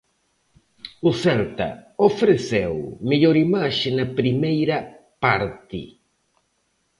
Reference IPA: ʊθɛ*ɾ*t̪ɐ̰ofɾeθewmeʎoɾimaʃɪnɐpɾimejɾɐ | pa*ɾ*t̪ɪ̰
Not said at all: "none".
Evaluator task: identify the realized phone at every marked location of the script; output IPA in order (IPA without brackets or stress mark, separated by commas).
l, ɾ